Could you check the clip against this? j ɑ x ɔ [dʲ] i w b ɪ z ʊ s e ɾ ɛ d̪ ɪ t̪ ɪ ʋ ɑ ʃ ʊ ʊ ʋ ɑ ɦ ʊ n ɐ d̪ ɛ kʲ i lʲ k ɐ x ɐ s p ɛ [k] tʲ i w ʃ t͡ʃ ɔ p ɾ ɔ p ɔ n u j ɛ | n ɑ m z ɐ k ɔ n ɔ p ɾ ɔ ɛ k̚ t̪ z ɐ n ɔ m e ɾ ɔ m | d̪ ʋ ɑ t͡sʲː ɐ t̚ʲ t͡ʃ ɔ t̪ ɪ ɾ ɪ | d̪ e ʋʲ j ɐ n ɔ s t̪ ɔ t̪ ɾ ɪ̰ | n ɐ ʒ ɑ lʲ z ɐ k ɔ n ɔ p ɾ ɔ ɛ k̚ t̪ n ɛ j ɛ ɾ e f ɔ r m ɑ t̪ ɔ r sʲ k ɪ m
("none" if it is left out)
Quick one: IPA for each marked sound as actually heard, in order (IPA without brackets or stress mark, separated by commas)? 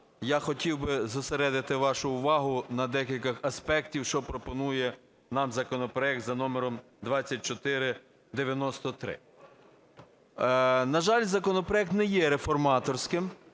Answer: tʲ, k